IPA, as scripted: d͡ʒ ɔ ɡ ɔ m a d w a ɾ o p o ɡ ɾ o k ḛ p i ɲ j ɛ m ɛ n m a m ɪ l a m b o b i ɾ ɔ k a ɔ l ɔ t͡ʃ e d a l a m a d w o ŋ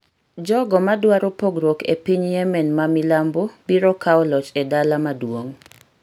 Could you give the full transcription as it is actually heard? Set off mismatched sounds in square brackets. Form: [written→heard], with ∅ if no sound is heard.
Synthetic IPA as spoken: d͡ʒ ɔ ɡ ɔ m a d w a ɾ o p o ɡ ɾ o k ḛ p i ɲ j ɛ m ɛ n m a m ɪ l a m b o b i ɾ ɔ k a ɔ l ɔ t͡ʃ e d a l a m a d w o ŋ